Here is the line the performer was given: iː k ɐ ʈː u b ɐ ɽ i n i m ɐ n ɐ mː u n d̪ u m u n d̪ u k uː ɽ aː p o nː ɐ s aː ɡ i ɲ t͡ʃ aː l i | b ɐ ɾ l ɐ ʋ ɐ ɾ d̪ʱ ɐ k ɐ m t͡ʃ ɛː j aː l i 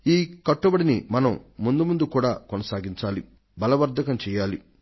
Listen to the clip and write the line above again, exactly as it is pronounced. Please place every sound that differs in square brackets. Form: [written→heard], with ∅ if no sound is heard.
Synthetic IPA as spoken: iː k ɐ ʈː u b ɐ ɽ i n i m ɐ n ɐ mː u n d̪ u m u n d̪ u k uː ɽ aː [p→k] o [nː→n] ɐ s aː ɡ i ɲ t͡ʃ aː l i | b ɐ [ɾ→∅] l ɐ ʋ ɐ ɾ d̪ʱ ɐ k ɐ m t͡ʃ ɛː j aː l i